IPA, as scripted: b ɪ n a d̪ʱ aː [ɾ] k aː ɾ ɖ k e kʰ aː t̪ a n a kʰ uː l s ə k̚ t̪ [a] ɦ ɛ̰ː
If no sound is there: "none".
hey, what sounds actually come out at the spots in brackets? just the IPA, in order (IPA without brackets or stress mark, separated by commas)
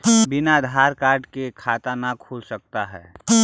ɾ, a